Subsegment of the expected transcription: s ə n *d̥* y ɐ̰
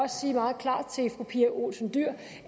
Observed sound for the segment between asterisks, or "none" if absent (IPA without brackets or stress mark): d̥